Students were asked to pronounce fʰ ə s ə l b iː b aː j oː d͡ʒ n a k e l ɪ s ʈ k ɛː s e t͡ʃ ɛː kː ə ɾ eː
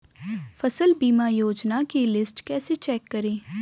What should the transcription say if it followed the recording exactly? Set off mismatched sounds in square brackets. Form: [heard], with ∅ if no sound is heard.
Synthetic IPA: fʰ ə s ə l b iː [m] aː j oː d͡ʒ n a k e l ɪ s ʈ k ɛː s e t͡ʃ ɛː kː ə ɾ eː

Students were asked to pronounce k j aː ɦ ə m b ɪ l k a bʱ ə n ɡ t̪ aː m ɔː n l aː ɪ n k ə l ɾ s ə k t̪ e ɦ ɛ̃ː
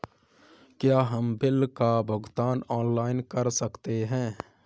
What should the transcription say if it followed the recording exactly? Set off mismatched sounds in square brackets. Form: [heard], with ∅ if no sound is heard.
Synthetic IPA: k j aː ɦ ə m b ɪ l k a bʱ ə [∅] ɡ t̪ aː [n] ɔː n l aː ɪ n k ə [∅] ɾ s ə k t̪ e ɦ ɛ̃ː

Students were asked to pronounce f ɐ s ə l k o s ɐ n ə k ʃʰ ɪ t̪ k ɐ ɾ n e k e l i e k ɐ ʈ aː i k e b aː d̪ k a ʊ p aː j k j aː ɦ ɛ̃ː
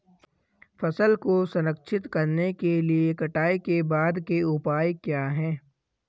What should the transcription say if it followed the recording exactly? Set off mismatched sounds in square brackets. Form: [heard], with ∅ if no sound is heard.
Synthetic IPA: f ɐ s ə l k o s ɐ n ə k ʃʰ ɪ t̪ k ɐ ɾ n e k e l i e k ɐ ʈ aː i k e b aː d̪ k [e] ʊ p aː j k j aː ɦ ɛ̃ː

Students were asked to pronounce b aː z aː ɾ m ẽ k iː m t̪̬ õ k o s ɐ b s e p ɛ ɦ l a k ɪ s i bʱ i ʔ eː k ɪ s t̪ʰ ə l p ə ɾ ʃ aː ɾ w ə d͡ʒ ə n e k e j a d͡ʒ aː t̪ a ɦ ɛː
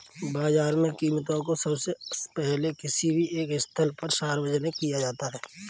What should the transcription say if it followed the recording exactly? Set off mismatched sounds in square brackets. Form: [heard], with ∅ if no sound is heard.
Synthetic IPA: b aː z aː ɾ m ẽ k iː m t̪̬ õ k o s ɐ b s e p ɛ ɦ l [e] k ɪ s i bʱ i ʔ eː k ɪ s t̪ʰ ə l p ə ɾ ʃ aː ɾ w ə d͡ʒ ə n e k [i] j a d͡ʒ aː t̪ a ɦ ɛː

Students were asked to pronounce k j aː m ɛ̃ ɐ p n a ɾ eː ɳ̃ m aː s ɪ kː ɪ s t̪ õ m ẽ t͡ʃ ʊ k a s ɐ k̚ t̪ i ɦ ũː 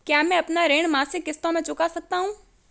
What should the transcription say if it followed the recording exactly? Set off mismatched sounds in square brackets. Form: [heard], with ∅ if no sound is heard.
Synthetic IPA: k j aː m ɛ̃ ɐ p n a ɾ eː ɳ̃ m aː s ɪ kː ɪ s t̪ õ m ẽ t͡ʃ ʊ k a s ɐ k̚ t̪ [a] ɦ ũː

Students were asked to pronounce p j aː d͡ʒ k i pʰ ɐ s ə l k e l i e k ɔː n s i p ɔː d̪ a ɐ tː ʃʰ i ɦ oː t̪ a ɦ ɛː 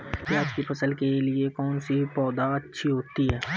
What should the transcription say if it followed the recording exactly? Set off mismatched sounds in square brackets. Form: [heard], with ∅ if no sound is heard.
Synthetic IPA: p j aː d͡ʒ k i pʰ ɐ s ə l k e l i e k ɔː n s i p ɔː d̪ a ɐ tː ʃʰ i ɦ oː t̪ [i] ɦ ɛː

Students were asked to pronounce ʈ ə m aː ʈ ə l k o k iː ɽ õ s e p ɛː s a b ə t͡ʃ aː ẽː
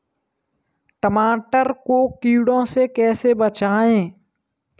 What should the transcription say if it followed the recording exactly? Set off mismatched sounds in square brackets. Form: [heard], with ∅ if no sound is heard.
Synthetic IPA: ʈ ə m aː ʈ ə [ɾ] k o k iː ɽ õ s e [k] ɛː s [e] b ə t͡ʃ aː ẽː

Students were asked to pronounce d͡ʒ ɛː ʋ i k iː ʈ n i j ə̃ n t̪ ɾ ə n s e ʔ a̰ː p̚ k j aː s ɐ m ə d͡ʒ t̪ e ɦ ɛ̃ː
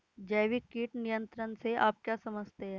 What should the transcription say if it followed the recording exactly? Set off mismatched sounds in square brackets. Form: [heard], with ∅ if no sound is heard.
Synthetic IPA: d͡ʒ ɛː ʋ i k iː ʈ n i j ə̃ n t̪ ɾ ə n s e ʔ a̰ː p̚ k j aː s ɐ m ə d͡ʒ t̪ e ɦ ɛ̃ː

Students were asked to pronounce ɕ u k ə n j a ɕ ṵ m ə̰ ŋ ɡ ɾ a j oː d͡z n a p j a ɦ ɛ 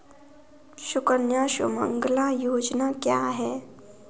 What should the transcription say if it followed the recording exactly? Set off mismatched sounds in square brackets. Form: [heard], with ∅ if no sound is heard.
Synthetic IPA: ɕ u k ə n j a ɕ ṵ m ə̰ ŋ ɡ [l] a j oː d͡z n a [k] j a ɦ ɛ

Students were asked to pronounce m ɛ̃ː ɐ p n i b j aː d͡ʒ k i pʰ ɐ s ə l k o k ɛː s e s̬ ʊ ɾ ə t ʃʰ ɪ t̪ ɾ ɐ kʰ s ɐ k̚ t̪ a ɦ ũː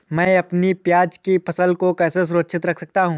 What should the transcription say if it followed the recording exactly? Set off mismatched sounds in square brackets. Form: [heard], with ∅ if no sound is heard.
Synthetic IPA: m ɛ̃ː ɐ p n i [p] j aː d͡ʒ k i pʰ ɐ s ə l k o k ɛː s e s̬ ʊ ɾ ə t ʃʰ ɪ t̪ ɾ ɐ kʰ s ɐ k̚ t̪ a ɦ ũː

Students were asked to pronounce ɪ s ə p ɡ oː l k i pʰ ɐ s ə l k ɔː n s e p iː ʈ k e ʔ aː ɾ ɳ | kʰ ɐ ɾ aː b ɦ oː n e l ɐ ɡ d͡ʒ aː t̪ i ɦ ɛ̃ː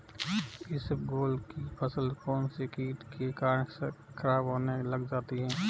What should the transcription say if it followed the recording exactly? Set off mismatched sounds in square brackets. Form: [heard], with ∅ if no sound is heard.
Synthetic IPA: ɪ s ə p ɡ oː l k i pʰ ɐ s ə l k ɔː n s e [k] iː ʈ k e [k] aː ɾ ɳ | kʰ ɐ ɾ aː b ɦ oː n e l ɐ ɡ d͡ʒ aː t̪ i ɦ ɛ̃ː

